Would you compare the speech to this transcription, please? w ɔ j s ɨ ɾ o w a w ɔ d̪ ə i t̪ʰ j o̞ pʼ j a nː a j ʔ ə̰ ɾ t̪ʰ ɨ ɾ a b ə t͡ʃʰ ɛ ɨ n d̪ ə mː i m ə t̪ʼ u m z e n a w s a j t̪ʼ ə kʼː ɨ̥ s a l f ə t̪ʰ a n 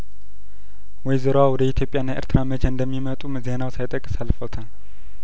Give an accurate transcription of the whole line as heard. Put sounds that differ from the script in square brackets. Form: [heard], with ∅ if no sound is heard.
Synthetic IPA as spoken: w ɔ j [z] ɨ ɾ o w a w ɔ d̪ ə i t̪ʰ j o̞ pʼ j a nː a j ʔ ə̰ ɾ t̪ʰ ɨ ɾ a [m] ə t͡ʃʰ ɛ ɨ n d̪ ə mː i m ə t̪ʼ u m z e n a w s a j t̪ʼ ə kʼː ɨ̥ s a l f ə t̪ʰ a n